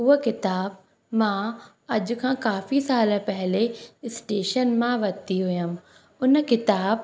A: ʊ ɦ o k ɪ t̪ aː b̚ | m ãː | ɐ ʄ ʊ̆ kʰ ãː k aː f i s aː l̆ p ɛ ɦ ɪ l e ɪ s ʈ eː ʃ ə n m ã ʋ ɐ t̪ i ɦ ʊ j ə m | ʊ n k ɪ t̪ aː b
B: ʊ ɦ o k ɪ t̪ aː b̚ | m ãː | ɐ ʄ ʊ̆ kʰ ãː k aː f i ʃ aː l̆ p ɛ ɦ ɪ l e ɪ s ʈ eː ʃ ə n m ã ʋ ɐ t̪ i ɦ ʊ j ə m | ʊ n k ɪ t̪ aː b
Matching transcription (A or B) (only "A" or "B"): A